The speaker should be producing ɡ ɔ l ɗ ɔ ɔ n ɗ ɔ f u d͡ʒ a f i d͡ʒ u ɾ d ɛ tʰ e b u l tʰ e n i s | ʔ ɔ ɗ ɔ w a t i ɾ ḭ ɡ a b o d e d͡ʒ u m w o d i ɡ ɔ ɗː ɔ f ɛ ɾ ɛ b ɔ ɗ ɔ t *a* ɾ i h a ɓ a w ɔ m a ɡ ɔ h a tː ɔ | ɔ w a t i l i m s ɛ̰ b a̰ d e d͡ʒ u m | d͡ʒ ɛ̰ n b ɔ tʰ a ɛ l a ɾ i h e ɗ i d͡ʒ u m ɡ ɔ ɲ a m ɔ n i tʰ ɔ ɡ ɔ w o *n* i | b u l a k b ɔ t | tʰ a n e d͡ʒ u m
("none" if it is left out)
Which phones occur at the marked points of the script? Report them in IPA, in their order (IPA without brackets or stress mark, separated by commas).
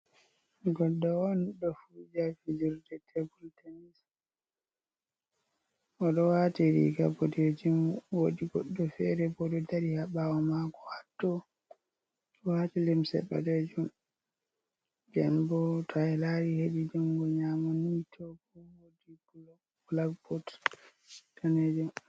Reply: a, d